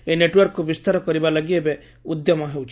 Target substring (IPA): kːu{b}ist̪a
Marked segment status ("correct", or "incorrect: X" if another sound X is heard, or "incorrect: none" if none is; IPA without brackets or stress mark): correct